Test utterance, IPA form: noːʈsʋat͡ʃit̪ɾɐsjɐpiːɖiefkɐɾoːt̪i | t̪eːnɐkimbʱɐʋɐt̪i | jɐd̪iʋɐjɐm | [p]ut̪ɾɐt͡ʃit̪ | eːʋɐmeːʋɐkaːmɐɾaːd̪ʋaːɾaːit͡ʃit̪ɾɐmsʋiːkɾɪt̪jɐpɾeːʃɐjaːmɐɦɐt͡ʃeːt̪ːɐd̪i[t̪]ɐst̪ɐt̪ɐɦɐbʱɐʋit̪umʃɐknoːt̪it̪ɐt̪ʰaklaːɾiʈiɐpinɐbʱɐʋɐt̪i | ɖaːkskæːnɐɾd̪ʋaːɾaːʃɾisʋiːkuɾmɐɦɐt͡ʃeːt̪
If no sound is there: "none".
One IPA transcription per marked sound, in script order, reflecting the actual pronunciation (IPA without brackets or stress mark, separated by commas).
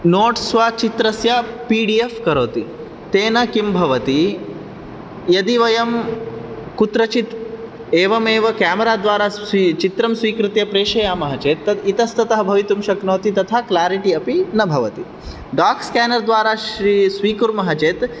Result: k, t̪